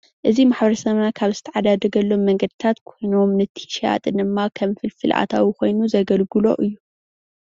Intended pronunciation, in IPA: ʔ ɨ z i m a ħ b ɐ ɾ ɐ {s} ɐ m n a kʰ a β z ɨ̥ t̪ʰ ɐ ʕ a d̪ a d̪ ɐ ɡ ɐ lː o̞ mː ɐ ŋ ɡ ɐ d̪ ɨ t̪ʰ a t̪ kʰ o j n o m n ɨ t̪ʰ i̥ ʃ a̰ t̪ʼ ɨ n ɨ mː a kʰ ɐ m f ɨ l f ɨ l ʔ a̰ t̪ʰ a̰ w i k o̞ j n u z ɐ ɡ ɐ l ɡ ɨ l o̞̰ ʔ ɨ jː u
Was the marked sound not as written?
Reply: no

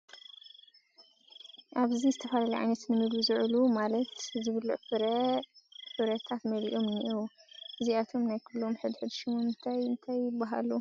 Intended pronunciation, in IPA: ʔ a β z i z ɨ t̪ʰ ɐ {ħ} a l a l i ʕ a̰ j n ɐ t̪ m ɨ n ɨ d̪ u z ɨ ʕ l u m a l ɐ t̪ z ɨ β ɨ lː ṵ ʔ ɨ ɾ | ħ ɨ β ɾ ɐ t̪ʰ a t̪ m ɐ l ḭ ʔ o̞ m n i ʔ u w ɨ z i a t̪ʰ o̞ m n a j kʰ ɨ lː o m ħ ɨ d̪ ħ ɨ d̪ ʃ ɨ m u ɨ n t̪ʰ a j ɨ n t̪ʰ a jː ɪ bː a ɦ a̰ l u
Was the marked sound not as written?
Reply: yes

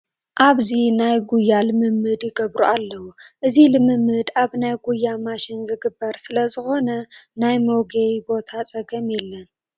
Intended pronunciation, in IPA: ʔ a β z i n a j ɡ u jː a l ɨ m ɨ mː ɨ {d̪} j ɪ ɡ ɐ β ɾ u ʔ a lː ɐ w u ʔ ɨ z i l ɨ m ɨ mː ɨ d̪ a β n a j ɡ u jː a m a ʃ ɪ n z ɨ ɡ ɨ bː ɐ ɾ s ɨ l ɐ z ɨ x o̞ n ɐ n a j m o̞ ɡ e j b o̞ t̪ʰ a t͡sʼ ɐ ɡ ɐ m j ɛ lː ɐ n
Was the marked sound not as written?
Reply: no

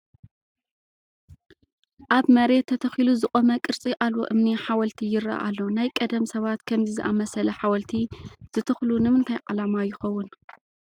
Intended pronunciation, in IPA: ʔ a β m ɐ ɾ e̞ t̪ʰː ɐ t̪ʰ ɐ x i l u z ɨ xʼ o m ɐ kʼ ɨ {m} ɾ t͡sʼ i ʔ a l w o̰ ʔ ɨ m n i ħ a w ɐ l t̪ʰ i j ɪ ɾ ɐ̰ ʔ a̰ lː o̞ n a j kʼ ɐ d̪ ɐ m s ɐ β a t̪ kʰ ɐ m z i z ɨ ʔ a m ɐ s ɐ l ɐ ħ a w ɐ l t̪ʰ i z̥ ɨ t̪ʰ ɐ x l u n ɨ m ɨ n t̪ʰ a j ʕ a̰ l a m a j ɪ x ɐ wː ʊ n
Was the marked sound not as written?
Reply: yes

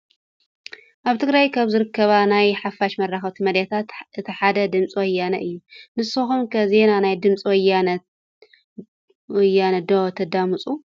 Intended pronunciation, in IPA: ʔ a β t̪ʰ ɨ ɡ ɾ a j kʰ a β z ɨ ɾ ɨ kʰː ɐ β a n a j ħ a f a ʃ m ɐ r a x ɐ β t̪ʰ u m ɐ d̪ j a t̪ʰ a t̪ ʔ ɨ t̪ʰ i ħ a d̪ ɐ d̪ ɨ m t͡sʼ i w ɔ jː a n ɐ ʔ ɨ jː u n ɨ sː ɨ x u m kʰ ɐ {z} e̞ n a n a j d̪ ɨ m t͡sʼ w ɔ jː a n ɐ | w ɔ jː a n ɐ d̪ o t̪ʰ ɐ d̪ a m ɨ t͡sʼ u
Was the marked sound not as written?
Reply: no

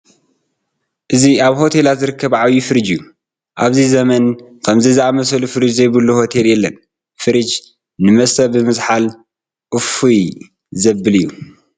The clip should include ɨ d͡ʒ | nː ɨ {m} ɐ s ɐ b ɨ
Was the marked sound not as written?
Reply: no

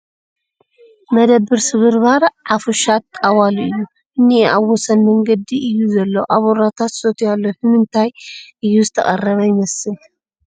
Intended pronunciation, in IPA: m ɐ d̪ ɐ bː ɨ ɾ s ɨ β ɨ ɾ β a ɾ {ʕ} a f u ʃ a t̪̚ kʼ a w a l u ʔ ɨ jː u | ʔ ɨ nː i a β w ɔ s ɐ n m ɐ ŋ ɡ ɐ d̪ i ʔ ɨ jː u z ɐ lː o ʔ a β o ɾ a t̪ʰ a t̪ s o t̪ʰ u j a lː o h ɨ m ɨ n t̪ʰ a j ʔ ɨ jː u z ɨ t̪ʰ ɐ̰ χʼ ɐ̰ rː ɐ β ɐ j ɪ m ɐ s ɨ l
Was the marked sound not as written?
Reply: no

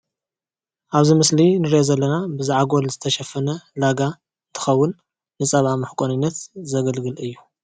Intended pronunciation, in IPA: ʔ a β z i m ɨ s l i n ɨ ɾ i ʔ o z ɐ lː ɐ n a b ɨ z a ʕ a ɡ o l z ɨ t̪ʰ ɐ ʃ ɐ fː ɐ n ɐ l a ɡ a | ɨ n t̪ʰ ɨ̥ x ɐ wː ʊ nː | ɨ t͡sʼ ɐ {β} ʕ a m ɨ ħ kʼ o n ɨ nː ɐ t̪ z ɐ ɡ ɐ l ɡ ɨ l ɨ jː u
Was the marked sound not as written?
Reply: no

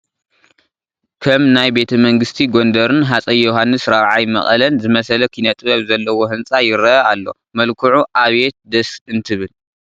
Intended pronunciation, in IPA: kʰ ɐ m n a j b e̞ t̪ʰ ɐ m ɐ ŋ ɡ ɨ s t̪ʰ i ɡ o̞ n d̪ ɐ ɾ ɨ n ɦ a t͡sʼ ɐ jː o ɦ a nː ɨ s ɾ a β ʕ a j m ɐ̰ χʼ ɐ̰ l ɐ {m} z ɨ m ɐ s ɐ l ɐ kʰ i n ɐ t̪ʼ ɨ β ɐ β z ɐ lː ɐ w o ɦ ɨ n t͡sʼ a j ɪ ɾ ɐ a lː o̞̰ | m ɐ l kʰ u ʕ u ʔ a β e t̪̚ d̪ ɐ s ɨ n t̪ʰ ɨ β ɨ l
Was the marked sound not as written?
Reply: yes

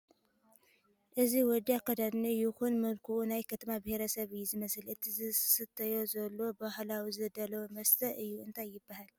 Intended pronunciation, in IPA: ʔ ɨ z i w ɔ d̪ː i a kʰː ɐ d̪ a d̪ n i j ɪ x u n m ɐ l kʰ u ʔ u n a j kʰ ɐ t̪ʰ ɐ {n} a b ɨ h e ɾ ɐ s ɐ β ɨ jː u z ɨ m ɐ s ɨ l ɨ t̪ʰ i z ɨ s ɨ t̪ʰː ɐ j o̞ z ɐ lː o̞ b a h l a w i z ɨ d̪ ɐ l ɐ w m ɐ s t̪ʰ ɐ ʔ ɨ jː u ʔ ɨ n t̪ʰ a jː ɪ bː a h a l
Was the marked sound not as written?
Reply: yes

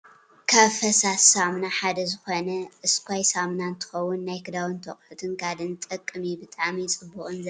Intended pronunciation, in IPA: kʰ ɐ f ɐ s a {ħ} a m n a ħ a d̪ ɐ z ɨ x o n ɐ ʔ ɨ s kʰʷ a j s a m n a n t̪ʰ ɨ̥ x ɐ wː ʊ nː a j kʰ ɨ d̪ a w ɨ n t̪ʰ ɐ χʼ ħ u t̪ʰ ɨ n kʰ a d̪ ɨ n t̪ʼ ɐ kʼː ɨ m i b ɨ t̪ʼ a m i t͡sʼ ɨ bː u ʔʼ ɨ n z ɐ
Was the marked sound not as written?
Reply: yes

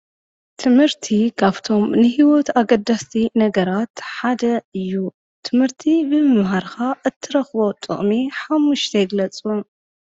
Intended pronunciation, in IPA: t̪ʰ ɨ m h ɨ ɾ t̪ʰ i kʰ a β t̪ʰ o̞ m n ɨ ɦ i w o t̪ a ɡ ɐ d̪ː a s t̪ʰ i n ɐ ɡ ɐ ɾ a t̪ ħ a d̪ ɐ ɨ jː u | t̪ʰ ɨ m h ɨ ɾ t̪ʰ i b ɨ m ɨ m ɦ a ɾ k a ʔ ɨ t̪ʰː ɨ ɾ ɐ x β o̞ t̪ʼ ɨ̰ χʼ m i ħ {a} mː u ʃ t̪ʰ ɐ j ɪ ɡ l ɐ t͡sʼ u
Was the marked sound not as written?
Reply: no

